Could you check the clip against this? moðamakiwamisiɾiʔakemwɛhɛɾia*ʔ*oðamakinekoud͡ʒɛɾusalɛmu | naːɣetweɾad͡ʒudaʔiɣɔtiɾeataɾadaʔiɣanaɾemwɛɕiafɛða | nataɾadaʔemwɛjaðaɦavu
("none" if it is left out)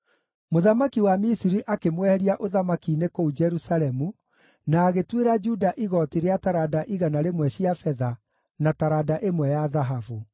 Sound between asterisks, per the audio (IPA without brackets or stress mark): ʔ